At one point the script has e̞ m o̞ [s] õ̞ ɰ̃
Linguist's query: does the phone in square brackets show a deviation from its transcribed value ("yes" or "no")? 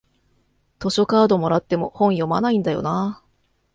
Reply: yes